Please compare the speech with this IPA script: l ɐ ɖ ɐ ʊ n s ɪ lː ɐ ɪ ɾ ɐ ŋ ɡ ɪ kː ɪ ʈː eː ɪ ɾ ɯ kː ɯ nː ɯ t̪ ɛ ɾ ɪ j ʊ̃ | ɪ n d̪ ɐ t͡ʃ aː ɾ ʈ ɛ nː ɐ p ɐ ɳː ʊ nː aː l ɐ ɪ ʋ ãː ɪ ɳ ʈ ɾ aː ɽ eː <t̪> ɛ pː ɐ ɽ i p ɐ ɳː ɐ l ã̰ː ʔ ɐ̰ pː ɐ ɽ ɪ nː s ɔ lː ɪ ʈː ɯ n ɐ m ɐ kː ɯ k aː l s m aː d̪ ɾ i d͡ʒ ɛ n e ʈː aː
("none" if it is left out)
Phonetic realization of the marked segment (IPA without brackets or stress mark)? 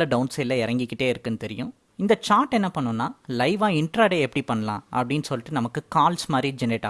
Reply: none